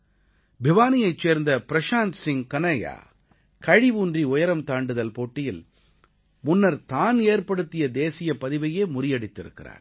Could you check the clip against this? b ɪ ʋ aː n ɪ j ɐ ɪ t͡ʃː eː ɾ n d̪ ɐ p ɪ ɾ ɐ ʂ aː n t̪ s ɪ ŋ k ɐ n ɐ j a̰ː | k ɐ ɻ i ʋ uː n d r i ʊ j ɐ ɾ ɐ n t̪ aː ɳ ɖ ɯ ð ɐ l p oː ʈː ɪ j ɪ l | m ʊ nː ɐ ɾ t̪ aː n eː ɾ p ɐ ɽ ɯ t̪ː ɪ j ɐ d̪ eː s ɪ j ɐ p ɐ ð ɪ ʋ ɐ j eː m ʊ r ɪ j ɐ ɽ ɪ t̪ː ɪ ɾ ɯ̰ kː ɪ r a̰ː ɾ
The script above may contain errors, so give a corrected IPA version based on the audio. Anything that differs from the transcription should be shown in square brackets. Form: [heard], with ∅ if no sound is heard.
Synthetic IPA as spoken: b ɪ ʋ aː n ɪ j ɐ ɪ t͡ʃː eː ɾ n d̪ ɐ p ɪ ɾ ɐ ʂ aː n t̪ s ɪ ŋ k ɐ n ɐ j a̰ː | k ɐ ɻ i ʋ uː n d r i ʊ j ɐ ɾ ɐ [m] t̪ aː ɳ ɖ ɯ ð ɐ l p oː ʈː ɪ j ɪ l | m ʊ nː ɐ ɾ t̪ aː n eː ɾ p ɐ ɽ ɯ t̪ː ɪ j ɐ d̪ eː s ɪ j ɐ p ɐ ð ɪ ʋ ɐ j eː m ʊ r ɪ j ɐ ɽ ɪ t̪ː ɪ ɾ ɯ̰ kː ɪ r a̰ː ɾ